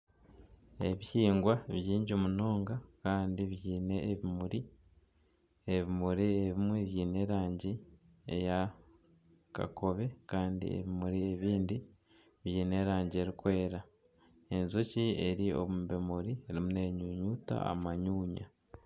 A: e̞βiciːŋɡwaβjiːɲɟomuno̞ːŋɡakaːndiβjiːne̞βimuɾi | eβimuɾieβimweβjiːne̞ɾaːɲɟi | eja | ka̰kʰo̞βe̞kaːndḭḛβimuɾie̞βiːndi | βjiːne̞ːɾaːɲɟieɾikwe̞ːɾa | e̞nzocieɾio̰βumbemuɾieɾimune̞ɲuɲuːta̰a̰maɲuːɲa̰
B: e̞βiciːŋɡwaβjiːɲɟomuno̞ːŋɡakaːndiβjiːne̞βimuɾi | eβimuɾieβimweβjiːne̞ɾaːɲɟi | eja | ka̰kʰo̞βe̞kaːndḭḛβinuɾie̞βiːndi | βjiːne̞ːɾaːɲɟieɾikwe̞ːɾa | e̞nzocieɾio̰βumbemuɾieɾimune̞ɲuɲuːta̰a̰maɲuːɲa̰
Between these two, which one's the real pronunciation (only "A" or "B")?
A